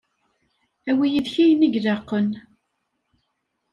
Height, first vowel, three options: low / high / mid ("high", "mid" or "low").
low